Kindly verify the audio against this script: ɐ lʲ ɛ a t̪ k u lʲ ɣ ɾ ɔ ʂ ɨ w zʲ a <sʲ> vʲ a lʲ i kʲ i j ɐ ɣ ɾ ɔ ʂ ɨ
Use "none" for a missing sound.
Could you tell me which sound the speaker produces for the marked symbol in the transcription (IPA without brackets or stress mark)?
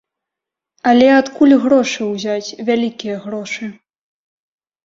t͡sʲ